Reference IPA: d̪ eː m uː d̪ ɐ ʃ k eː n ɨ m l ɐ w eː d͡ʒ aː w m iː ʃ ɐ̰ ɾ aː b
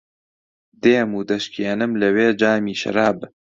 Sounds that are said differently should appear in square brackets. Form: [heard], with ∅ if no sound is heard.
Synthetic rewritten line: d̪ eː m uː d̪ ɐ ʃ k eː n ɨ m l ɐ w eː d͡ʒ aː [∅] m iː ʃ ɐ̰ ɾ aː b